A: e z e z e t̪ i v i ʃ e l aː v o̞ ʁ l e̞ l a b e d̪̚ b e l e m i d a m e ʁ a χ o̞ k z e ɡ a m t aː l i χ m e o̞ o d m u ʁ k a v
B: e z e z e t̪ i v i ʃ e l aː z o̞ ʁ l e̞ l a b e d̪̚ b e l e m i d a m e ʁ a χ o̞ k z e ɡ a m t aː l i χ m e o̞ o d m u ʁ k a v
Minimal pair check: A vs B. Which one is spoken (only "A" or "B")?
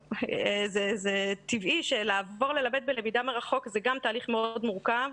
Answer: A